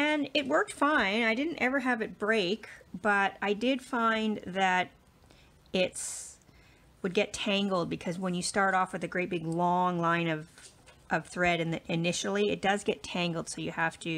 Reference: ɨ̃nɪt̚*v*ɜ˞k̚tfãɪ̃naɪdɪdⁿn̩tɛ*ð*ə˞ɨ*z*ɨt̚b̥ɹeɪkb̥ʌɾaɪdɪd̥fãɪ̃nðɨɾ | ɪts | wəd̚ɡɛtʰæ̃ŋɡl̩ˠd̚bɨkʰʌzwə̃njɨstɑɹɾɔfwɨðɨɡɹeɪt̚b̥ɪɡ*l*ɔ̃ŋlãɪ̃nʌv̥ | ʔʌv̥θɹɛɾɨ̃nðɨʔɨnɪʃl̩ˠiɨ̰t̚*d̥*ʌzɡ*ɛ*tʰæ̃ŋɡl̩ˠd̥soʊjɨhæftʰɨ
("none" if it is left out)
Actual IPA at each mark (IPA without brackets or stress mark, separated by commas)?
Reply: w, v, v, l, d̥, ɛ